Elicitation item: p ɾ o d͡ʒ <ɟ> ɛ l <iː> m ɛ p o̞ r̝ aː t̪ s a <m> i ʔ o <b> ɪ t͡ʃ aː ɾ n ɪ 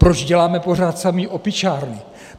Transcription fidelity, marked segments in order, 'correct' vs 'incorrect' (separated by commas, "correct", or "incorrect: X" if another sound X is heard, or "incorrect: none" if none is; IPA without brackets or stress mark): correct, incorrect: aː, correct, incorrect: p